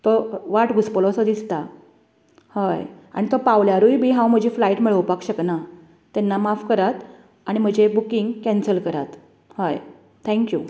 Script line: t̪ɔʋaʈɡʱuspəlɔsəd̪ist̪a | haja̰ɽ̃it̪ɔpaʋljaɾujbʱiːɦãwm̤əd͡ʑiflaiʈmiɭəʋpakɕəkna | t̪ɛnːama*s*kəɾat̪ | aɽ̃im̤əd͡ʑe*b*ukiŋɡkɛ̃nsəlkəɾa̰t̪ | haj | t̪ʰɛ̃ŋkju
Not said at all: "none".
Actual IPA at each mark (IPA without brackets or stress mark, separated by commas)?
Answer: f, b